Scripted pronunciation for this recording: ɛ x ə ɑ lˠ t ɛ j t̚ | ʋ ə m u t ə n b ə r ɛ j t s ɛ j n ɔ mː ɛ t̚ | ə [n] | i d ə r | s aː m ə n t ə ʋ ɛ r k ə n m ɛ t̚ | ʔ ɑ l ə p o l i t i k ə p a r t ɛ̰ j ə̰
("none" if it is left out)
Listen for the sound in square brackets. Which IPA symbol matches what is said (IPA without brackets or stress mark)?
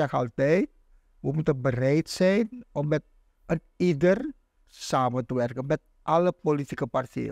n